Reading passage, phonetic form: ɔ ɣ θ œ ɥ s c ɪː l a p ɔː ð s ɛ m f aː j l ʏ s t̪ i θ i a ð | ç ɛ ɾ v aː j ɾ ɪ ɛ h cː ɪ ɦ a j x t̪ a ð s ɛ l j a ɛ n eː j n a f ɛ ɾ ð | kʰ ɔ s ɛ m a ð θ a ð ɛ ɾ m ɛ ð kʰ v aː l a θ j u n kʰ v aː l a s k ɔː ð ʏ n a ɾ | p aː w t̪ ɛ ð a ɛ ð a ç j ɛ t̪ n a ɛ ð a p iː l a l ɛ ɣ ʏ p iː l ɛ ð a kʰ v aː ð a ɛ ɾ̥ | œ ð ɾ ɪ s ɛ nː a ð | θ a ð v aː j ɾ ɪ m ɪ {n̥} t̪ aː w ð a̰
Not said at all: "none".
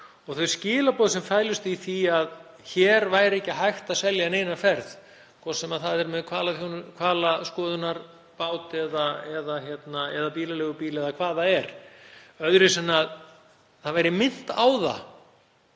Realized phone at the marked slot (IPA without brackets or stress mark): n̥